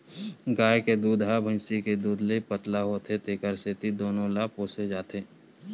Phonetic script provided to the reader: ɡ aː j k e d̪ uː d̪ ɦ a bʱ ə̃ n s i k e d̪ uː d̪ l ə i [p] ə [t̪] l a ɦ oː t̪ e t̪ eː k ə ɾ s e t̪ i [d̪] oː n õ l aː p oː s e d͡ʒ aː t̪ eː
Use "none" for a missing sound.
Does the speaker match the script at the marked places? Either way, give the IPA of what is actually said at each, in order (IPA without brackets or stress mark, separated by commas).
p, t̪, d̪